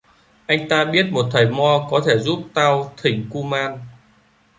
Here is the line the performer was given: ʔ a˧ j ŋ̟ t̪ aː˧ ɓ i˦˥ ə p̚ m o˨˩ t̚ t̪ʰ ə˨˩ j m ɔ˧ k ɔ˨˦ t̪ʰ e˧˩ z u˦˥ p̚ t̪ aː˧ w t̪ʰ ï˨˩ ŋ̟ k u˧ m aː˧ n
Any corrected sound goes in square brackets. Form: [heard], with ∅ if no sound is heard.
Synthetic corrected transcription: ʔ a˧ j ŋ̟ t̪ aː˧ ɓ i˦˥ ə [t̚] m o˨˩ t̚ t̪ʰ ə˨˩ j m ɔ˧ k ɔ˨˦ t̪ʰ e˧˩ z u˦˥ p̚ t̪ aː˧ w t̪ʰ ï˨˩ ŋ̟ k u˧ m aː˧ n